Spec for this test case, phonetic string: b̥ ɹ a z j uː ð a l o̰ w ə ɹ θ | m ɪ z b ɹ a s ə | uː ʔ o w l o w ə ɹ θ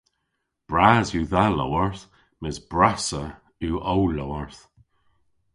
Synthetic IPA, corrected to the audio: b̥ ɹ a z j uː ð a l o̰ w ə ɹ θ | m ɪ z b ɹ a s ə | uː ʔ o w l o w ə ɹ θ